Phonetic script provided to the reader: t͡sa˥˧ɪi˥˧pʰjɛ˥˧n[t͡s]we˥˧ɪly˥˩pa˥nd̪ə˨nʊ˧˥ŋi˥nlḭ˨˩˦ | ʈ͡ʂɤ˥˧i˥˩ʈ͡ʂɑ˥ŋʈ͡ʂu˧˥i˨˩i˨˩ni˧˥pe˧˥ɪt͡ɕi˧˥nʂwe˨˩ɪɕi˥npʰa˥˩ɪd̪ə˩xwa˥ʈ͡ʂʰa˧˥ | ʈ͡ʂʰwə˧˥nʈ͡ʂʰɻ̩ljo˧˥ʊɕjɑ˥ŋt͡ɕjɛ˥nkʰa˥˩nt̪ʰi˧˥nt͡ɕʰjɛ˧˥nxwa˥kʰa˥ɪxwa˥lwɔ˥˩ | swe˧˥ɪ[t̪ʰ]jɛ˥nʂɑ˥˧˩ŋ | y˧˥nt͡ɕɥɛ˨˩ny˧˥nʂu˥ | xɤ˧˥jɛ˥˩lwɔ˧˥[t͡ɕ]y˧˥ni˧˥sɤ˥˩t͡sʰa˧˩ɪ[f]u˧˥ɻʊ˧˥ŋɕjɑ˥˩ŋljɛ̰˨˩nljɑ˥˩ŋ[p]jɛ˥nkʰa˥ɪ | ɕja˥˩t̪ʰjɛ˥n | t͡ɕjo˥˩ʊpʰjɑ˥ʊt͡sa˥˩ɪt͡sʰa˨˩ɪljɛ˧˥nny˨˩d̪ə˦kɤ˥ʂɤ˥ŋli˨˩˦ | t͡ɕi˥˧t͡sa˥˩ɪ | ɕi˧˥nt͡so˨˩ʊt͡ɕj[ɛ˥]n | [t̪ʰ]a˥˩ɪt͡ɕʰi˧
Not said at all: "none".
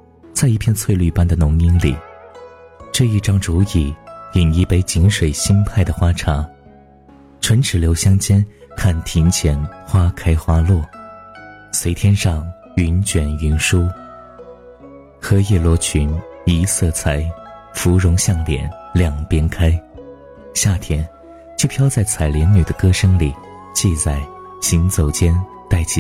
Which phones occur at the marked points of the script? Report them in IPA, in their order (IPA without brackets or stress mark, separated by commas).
t͡sʰ, t̪ʰ, t͡ɕʰ, f, p, ɛ˥, t̪